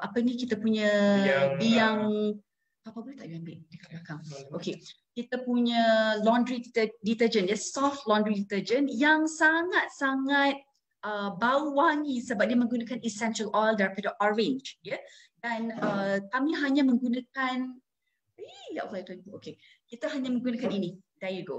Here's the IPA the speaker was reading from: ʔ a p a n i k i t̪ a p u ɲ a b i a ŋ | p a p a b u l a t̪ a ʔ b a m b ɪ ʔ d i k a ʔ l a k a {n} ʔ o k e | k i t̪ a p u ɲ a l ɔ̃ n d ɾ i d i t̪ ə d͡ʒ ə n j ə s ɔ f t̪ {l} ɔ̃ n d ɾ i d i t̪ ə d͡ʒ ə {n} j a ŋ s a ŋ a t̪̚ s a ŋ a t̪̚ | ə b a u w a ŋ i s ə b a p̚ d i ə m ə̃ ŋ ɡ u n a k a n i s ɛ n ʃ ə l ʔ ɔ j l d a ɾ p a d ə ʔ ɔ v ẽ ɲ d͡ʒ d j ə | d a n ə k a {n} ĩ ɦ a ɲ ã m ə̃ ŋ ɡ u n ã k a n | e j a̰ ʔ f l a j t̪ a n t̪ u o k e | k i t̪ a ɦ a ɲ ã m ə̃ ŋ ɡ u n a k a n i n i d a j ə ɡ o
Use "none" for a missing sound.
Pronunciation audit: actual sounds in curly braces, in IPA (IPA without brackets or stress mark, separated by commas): ŋ, l, n, m